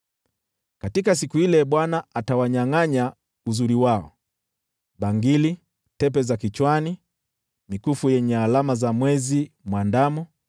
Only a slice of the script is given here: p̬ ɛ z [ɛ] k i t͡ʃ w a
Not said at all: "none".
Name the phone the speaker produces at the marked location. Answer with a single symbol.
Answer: a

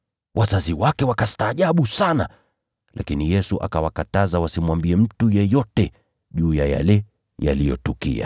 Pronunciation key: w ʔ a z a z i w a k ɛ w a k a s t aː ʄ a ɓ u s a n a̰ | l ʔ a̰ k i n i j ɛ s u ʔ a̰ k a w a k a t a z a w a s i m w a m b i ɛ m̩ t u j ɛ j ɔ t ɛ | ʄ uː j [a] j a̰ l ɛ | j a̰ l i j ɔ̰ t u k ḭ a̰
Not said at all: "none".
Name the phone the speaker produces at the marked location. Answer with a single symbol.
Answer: a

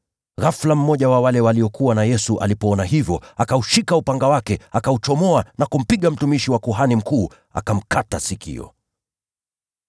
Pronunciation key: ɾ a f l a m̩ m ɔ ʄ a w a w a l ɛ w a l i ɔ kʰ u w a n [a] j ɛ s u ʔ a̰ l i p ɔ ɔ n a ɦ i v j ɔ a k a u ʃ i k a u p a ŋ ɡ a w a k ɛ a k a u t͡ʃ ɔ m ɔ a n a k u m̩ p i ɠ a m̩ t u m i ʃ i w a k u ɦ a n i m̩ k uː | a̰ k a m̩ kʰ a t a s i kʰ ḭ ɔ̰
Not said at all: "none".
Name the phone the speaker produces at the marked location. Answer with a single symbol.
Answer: a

